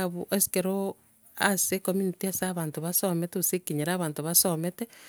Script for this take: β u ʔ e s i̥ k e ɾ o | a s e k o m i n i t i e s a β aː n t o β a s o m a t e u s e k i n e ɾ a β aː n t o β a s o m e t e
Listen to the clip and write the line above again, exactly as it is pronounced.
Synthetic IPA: β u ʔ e s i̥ k e ɾ o | a s e k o m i n i t i a s a β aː n t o β a s o m e t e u s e k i ɲ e ɾ a β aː n t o β a s o m e t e

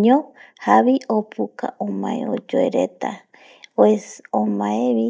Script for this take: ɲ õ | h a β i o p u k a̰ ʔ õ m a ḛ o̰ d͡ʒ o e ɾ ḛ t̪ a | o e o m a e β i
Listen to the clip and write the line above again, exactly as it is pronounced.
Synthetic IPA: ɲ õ | h a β i o p u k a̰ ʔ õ m a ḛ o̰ d͡ʒ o e ɾ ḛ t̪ a | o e o m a e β i

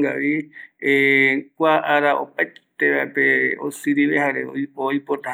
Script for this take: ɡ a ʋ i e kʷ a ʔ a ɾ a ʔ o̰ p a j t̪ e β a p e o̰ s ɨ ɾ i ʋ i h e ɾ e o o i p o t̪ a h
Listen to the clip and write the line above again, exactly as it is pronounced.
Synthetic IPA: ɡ a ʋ i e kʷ a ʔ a ɾ a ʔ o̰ p a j t̪ e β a p e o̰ s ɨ ɾ i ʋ e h a ɾ e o o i p o t̪ a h

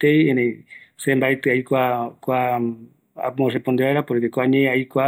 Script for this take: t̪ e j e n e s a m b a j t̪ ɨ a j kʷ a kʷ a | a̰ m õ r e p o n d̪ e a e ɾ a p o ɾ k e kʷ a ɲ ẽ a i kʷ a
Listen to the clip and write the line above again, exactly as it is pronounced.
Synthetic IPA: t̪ e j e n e s e m b a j t̪ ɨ a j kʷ a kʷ a | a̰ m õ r e p o n d̪ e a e ɾ a p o ɾ k e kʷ a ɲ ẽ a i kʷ a

